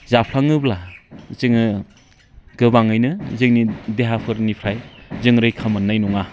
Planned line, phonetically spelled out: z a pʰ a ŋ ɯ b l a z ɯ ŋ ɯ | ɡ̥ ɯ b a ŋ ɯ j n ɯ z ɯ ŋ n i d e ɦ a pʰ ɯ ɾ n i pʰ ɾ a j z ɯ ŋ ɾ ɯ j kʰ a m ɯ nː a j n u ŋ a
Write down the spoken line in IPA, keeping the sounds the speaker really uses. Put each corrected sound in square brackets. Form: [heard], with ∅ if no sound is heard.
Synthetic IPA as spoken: z a pʰ a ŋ ɯ b l a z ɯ ŋ ɯ | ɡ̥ ɯ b a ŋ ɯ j n ɯ z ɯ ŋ n i d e ɦ a pʰ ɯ ɾ n i pʰ ɾ a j z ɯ ŋ ɾ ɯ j kʰ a m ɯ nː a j n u ŋ a